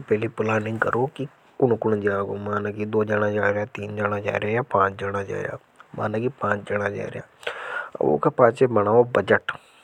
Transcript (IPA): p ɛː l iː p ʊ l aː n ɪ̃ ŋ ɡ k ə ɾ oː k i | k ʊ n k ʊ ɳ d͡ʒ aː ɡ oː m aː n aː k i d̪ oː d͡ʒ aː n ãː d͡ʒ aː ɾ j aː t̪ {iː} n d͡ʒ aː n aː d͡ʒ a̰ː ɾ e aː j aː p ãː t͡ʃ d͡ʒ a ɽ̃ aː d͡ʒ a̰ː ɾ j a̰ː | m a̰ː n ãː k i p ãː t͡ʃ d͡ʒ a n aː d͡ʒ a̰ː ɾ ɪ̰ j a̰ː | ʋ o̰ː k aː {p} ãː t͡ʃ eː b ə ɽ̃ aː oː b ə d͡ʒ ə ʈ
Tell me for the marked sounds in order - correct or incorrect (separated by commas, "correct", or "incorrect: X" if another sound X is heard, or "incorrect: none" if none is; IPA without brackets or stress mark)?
correct, correct